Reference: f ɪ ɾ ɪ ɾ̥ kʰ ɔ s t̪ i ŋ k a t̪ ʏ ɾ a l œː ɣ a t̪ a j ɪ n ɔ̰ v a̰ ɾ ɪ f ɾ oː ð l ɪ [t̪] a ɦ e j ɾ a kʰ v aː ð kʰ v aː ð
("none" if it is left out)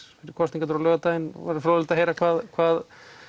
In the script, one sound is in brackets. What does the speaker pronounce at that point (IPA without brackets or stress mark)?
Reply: t̪